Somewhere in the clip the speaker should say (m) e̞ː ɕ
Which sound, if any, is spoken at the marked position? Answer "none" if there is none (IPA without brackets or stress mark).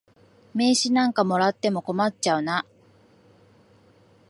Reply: m